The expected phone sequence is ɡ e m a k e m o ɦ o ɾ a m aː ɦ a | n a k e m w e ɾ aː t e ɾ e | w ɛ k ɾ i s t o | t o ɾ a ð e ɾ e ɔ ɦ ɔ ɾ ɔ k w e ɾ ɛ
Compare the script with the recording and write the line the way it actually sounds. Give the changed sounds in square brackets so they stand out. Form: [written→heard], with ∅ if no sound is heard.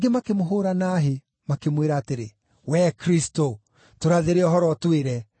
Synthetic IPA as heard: ɡ e m a k e m o ɦ o ɾ a [m→n] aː ɦ [a→e] | [n→m] a k e m w e ɾ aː t e ɾ e | w ɛ k ɾ i s t o | t o ɾ a ð e ɾ e ɔ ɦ ɔ ɾ ɔ [k→t] w e ɾ ɛ

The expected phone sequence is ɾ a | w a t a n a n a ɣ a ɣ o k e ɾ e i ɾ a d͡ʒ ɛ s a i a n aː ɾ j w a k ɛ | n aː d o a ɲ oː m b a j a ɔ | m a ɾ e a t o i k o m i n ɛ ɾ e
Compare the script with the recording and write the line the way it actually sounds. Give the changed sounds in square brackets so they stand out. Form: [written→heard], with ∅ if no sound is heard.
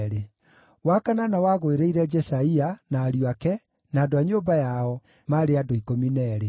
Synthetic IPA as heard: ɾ [a→e] | w a [t→k] a n a n a [ɣ→w] a ɣ o [k→∅] e ɾ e i ɾ [a→ɛ] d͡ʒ ɛ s a i a n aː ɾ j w a k ɛ | n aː d o a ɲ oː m b a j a ɔ | m a ɾ e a [t→d] o i k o m i n ɛ ɾ e

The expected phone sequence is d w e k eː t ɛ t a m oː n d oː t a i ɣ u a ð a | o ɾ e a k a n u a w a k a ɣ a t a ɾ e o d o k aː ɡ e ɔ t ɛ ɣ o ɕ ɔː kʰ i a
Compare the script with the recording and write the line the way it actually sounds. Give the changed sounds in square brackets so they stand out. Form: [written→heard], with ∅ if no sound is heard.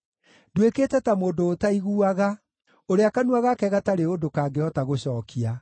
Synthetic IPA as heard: d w e k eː t ɛ t a m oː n d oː t a i ɣ u a [ð→ɣ] a | o ɾ e a k a n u a [w→ɣ] a k [a→ɛ] ɣ a t a ɾ e o d o k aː ɡ e ɔ t [ɛ→a] ɣ o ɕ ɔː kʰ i a

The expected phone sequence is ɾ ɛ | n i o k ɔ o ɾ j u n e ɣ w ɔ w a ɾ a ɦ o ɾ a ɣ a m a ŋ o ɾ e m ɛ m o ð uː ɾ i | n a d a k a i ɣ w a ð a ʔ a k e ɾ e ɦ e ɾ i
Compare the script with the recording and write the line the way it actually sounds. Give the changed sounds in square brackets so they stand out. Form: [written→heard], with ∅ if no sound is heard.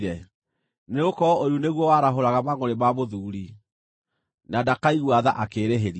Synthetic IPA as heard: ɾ ɛ | n [i→e] o k ɔ o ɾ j u n e ɣ w ɔ w a ɾ a ɦ o ɾ a ɣ a m a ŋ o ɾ e m [ɛ→a] m o ð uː ɾ i | n a d a k a i ɣ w a ð a ʔ a k e ɾ e ɦ e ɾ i

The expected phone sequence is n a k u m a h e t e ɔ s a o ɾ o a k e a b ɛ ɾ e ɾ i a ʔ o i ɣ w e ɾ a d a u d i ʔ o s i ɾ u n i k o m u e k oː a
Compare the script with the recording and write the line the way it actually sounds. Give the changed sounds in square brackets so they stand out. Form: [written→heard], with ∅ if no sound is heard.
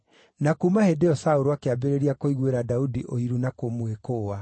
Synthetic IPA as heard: n a k u m a h e [t→d] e ɔ s a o ɾ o a k e a b [ɛ→e] ɾ e ɾ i a [ʔ→k] o i ɣ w e ɾ a d a u d i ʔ o [s→∅] i ɾ u n [i→a] k o m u e k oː a

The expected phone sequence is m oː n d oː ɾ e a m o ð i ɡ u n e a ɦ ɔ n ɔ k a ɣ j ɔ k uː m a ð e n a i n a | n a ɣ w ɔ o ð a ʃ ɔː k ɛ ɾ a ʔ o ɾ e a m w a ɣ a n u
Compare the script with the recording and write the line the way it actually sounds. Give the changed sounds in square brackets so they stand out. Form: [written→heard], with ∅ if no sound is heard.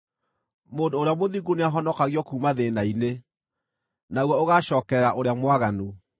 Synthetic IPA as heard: m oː n d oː ɾ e a m o ð i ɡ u n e a ɦ ɔ n ɔ k a ɣ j ɔ k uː m a ð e n a i n [a→e] | n a ɣ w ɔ o [ð→ɣ] a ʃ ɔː k ɛ ɾ a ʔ o ɾ e a m w a ɣ a n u

